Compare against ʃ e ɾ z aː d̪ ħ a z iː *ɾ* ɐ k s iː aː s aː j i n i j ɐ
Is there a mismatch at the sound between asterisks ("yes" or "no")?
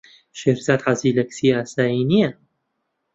yes